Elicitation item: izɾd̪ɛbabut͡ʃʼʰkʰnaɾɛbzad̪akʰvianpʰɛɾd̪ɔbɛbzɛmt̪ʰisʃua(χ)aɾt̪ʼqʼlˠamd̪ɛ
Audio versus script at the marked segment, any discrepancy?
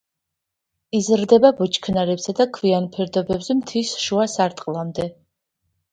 yes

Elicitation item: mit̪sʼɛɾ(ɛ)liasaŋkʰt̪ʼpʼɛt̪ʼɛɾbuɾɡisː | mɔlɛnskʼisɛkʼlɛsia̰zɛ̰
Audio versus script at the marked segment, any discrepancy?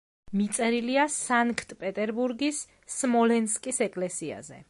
yes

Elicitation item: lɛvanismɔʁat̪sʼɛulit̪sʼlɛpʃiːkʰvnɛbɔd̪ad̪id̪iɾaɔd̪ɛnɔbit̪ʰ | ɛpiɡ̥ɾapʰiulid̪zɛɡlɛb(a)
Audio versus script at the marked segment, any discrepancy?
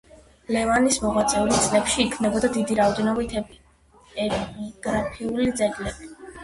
yes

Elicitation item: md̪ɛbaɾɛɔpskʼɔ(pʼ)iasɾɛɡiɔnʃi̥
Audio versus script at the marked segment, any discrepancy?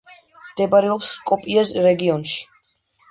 no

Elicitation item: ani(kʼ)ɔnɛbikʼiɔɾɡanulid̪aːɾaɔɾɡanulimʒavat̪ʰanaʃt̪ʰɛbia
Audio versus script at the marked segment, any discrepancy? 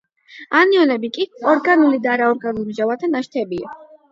yes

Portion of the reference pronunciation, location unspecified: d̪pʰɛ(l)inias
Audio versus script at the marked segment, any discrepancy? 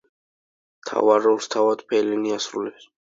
no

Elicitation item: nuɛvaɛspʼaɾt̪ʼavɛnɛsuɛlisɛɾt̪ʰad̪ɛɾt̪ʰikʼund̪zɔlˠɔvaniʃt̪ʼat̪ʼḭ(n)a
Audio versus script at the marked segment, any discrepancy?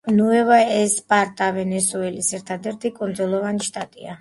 yes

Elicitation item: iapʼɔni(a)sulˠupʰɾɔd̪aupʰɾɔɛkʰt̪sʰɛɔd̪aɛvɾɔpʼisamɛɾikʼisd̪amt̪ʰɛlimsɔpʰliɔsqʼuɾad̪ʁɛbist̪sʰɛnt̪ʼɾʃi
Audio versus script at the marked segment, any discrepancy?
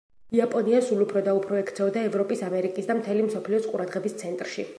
no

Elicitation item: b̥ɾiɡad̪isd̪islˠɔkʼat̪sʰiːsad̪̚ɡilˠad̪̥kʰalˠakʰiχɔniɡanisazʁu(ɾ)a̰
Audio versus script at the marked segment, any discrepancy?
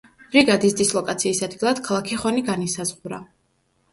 no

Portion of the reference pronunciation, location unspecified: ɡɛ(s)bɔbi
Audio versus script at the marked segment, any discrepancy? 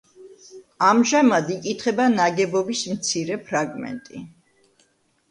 yes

